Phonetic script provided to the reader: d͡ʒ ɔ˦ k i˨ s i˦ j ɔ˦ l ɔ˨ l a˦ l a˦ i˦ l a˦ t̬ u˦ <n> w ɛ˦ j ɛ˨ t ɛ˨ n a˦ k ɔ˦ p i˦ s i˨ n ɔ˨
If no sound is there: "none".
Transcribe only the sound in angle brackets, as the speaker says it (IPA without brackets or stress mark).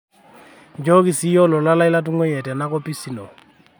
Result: ŋ